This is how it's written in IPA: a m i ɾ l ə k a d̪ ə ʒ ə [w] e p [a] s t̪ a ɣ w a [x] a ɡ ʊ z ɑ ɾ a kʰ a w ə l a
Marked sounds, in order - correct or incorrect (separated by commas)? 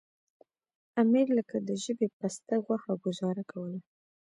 incorrect, correct, correct